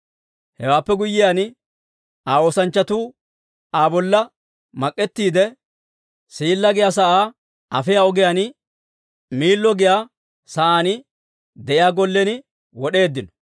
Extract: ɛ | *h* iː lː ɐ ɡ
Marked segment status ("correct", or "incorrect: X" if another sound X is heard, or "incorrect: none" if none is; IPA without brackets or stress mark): incorrect: s